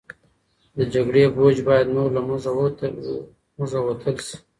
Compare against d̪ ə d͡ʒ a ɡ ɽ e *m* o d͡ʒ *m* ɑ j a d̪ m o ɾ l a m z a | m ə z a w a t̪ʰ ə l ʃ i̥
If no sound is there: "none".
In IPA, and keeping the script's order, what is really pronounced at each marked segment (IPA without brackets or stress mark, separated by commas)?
b, b